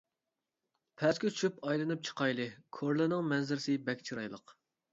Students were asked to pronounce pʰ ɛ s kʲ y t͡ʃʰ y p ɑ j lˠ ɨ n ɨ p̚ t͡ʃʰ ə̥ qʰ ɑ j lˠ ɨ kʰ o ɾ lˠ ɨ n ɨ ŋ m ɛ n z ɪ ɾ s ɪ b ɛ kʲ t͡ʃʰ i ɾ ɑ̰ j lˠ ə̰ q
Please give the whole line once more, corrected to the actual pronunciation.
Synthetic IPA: pʰ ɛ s kʲ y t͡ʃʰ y p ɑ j lˠ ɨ n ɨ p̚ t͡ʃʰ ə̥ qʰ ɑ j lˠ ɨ kʰ o ɾ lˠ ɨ n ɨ ŋ m ɛ n z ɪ ɾ s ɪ b ɛ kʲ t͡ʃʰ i ɾ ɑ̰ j lˠ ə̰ q